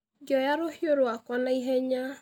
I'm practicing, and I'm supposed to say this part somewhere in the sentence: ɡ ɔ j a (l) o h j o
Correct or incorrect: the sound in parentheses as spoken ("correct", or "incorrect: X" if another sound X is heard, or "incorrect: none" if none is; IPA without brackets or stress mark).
incorrect: ɾ